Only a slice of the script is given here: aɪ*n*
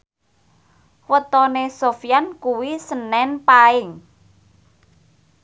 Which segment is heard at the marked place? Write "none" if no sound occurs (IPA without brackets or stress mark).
ŋ